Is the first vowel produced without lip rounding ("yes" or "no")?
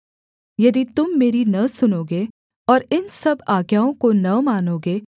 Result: yes